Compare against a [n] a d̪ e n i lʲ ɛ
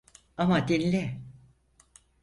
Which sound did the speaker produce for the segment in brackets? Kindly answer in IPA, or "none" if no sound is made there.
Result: m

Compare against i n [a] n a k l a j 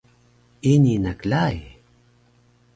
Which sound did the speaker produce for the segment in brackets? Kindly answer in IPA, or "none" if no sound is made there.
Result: i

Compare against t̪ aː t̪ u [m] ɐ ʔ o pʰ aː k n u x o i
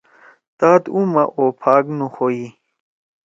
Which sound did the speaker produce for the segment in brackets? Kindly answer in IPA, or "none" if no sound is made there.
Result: m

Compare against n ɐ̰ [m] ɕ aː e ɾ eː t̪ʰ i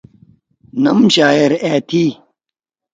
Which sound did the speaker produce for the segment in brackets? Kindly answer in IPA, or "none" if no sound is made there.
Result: m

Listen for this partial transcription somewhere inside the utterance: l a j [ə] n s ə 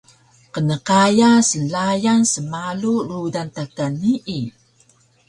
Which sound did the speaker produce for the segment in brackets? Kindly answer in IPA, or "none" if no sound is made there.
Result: a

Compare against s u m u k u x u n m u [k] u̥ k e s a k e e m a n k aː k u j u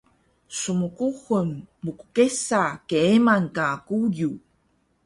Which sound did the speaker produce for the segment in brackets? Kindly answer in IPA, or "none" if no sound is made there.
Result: k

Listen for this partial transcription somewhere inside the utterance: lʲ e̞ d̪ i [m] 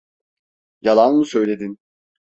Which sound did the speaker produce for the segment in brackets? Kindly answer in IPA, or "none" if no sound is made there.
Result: n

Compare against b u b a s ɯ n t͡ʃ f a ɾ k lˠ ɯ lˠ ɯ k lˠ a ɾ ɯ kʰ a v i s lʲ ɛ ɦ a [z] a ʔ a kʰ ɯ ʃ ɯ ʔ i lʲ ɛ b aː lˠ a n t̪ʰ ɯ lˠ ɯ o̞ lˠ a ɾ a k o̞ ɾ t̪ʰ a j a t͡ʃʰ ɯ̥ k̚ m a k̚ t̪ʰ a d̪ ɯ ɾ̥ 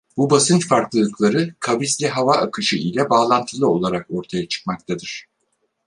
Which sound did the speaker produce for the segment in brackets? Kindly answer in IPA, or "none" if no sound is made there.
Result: v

